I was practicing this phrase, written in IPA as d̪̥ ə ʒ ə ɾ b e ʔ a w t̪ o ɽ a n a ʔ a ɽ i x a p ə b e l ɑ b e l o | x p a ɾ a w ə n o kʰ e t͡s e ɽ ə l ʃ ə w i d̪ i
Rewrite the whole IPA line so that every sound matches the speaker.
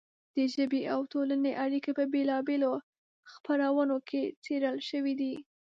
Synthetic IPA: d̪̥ ə ʒ ə b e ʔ a w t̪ o l a n e ʔ a ɽ i k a p ə b e l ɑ b e l o | x p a ɾ a w ə n o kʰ e t͡s e ɾ ə l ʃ ə w i d̪ i